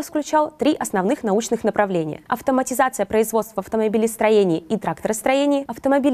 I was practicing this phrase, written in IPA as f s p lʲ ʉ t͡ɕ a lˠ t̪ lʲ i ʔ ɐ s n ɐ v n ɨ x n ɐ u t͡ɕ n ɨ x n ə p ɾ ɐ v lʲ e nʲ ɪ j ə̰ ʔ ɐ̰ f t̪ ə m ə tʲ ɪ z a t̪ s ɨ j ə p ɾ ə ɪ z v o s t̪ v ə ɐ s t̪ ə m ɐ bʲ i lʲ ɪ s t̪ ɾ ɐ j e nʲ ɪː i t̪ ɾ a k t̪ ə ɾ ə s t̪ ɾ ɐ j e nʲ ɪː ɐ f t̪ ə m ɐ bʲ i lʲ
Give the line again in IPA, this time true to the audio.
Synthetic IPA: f s k lʲ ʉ t͡ɕ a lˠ t̪ ɾʲ i ʔ ɐ s n ɐ v n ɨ x n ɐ u t͡ɕ n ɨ x n ə p ɾ ɐ v lʲ e nʲ ɪ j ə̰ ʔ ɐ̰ f t̪ ə m ə tʲ ɪ z a t̪ s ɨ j ə p ɾ ə ɪ z v o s t̪ v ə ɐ f t̪ ə m ɐ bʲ i lʲ ɪ s t̪ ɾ ɐ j e nʲ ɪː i t̪ ɾ a k t̪ ə ɾ ə s t̪ ɾ ɐ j e nʲ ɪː ɐ f t̪ ə m ɐ bʲ i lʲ